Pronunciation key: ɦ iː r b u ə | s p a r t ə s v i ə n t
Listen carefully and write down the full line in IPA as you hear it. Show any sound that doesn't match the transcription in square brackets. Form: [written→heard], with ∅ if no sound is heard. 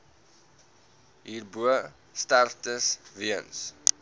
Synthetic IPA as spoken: ɦ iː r b u ə | s [p→t] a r t ə s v i ə n [t→s]